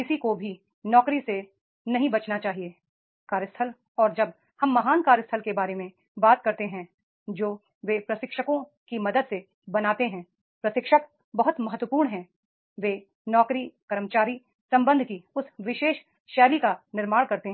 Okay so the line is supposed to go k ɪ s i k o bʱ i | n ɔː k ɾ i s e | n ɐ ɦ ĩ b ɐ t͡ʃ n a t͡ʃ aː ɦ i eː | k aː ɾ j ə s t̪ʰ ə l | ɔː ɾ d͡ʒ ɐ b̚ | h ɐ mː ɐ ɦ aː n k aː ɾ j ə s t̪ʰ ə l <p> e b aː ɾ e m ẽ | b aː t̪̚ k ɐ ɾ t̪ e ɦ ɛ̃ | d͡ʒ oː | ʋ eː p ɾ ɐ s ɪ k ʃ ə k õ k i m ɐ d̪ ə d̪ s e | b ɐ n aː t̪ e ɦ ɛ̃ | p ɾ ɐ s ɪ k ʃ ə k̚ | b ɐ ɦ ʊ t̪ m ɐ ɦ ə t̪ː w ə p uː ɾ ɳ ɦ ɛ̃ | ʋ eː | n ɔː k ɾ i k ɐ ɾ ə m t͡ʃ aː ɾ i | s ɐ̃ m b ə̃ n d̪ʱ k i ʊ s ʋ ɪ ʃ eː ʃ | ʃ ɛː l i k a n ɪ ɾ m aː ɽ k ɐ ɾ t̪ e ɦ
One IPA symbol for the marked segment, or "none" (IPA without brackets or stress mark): k